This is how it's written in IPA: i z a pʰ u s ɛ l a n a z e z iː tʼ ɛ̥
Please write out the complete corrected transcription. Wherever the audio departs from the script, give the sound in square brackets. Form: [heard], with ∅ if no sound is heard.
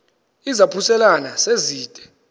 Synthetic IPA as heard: i z a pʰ u s ɛ l a n a [s] e z iː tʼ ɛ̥

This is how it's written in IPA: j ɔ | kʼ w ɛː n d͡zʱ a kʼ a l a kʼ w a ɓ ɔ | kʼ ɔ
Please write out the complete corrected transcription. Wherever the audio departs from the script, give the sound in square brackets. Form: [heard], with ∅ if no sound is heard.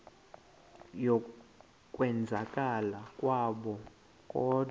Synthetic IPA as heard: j ɔ | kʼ w [ɛ] n d͡zʱ a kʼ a l a kʼ w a ɓ ɔ | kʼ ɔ

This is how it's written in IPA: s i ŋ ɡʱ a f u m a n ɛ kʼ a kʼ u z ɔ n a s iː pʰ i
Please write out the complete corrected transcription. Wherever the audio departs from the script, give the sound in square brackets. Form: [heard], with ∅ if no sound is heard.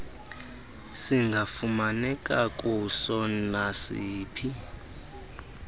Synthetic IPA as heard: s i ŋ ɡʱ a f u m a n ɛ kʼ a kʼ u [s] ɔ n a s iː pʰ i

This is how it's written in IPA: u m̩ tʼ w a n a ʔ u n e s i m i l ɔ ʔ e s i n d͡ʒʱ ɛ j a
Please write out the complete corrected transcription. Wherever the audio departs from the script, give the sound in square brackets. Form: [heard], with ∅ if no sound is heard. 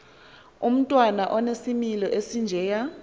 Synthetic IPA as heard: u m̩ tʼ w a n a ʔ [ɔ] n e s i m i l ɔ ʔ e s i n d͡ʒʱ ɛ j a

